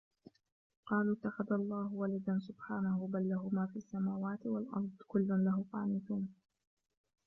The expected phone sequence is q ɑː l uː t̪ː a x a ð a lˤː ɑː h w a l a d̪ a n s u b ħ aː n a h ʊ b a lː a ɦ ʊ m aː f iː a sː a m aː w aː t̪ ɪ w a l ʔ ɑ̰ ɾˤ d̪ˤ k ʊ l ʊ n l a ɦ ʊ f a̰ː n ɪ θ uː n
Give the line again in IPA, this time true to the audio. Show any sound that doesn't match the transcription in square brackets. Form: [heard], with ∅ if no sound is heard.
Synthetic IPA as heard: q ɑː l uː t̪ː a x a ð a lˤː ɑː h w a l a d̪ a n s [ʊ] b ħ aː n a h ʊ b a lː a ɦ ʊ m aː f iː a sː a m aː w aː t̪ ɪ w a l ʔ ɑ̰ ɾˤ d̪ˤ k ʊ [lː] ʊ n l a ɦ ʊ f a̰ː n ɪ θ uː n